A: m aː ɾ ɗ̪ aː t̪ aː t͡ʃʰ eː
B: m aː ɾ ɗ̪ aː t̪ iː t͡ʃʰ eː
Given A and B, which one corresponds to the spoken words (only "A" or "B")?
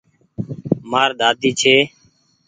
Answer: B